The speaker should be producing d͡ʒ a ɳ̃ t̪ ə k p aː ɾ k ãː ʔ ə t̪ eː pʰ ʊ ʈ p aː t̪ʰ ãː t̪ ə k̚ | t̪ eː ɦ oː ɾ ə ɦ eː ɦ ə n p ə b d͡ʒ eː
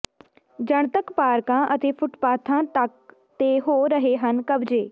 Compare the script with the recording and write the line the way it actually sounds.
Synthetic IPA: d͡ʒ ə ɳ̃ t̪ ə k p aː ɾ k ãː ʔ ə t̪ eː pʰ ʊ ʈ p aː t̪ʰ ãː t̪ ə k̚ | t̪ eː ɦ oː ɾ ə ɦ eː ɦ ə n k ə b d͡ʒ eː